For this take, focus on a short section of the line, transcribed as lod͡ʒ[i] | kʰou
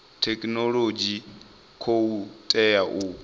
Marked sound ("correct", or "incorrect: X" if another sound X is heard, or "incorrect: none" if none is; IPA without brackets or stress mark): correct